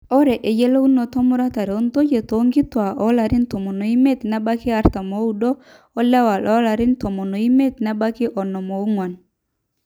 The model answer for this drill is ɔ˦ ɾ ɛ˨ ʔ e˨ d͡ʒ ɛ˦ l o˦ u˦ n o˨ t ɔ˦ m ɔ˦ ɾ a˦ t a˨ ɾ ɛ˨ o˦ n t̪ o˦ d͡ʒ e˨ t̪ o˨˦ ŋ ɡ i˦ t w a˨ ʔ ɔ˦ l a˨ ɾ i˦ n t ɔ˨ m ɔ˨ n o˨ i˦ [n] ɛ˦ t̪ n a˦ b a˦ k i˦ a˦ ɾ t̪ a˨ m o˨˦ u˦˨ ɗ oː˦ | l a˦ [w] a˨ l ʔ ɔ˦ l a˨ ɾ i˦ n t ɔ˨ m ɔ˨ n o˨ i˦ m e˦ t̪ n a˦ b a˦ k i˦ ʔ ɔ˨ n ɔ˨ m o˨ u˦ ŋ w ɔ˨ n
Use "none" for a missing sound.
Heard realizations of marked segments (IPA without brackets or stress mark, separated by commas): m, w